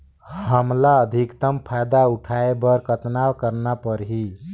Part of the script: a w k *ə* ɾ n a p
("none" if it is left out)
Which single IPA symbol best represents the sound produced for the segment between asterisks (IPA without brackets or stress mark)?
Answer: ə